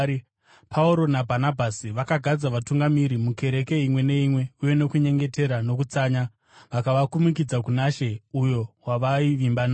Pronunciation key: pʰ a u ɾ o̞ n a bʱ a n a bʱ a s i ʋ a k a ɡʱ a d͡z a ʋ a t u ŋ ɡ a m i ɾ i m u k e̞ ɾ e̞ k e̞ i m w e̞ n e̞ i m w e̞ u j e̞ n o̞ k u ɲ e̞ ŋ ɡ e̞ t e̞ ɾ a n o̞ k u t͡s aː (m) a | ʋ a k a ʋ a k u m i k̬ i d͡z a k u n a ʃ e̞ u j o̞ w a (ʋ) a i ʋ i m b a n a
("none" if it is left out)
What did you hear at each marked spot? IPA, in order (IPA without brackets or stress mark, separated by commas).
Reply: ɲ, ʋ